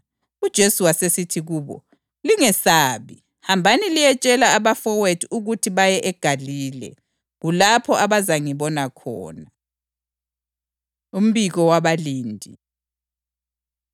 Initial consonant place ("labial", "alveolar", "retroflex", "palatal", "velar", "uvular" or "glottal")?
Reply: alveolar